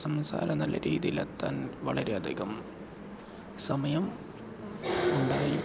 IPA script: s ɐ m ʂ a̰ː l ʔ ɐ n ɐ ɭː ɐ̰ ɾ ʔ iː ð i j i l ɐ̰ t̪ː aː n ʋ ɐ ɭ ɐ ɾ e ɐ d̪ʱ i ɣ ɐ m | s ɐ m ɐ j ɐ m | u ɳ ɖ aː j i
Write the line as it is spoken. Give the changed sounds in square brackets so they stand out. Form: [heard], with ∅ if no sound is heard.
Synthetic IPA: s ɐ m [s] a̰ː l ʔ ɐ n ɐ [lː] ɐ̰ ɾ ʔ iː ð i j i l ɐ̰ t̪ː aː n ʋ ɐ ɭ ɐ ɾ e ɐ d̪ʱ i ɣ ɐ m | s ɐ m ɐ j ɐ m | u ɳ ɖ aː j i